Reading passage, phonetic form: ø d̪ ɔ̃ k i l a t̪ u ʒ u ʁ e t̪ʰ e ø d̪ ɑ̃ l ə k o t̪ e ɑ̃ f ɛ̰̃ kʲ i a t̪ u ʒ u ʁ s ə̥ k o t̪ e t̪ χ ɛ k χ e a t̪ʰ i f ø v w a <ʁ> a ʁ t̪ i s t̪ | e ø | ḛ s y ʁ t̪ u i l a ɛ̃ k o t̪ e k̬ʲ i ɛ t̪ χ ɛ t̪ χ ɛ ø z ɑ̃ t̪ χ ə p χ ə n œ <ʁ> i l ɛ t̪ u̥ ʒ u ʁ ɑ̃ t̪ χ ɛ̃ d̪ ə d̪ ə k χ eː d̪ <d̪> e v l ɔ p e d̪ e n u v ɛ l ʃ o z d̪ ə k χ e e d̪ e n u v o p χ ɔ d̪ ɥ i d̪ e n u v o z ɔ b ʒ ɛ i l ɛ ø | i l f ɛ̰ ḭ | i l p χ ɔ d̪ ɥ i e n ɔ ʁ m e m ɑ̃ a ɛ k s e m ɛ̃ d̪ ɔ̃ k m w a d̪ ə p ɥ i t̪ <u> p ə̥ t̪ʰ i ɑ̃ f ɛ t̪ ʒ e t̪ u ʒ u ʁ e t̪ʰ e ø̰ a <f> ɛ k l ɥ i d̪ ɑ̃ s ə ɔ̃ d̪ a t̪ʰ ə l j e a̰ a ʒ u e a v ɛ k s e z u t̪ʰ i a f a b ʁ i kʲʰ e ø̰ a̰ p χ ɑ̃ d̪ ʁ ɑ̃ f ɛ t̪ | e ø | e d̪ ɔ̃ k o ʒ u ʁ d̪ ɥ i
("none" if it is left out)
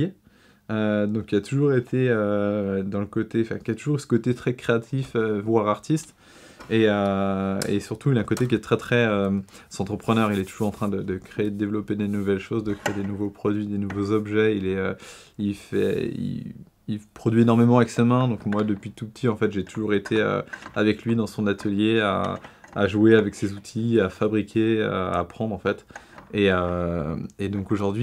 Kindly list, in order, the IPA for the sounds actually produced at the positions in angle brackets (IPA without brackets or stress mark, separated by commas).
ʁ, ʁ, d̪, u, v